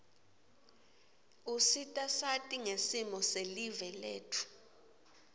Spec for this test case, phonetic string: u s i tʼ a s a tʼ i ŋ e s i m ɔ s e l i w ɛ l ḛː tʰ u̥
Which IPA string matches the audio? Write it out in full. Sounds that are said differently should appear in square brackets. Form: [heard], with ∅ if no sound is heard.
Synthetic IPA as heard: u s i tʼ a s a tʼ i ŋ e s i m ɔ s e l i [v] ɛ l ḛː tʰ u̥